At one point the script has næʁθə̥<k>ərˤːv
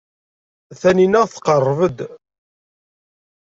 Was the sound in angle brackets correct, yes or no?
no